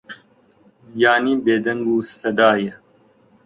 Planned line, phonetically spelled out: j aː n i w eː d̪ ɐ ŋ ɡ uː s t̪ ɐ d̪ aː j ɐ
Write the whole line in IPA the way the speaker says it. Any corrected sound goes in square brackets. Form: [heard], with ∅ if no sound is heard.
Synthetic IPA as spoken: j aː n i [b] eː d̪ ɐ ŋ ɡ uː s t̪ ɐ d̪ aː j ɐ